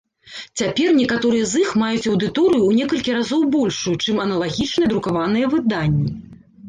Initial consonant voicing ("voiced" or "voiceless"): voiceless